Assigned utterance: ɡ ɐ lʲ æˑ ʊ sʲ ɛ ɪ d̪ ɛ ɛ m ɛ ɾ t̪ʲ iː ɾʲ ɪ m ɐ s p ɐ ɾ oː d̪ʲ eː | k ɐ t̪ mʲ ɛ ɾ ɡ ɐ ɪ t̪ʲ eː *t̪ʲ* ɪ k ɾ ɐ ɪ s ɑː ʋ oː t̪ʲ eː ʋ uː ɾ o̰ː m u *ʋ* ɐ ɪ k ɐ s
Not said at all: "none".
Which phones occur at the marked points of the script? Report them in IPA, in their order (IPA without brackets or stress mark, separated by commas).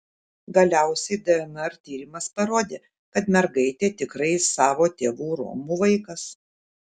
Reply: t̪ʲ, ʋ